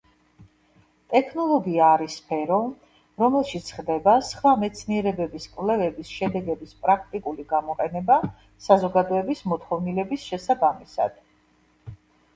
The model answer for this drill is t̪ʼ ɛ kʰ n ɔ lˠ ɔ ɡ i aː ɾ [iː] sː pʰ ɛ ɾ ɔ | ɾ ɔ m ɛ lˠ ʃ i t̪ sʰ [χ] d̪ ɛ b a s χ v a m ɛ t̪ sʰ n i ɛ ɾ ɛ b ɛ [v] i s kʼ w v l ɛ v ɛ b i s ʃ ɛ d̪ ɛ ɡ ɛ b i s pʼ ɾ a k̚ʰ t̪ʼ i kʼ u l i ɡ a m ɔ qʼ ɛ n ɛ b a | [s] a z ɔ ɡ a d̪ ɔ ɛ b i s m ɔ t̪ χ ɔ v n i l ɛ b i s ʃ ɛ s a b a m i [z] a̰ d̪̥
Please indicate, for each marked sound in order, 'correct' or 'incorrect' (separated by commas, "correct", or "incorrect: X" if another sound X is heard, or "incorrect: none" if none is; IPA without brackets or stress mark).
incorrect: i, correct, incorrect: b, correct, incorrect: s